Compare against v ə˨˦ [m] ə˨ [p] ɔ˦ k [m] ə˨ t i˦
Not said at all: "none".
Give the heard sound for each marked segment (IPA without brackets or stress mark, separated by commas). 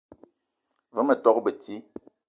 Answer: m, t, b